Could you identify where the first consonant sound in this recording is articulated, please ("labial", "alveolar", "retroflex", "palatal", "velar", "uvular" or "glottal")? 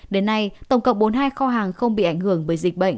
alveolar